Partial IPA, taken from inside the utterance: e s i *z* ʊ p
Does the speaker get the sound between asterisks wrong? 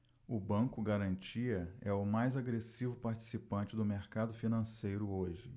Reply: yes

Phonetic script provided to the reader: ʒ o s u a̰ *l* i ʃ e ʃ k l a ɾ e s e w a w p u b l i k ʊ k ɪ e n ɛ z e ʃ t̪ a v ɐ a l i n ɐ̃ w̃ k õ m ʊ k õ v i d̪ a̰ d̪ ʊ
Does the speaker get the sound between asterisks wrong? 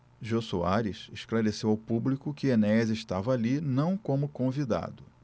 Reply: yes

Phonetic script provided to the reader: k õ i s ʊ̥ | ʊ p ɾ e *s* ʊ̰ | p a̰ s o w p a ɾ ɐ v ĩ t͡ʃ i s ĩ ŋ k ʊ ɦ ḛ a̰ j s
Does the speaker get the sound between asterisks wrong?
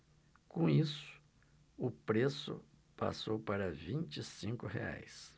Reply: no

